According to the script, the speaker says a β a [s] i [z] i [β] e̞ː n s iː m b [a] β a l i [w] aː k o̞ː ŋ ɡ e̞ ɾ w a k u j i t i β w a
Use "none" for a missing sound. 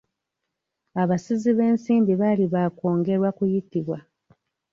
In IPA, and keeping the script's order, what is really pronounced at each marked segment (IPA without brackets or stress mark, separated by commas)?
s, z, β, i, β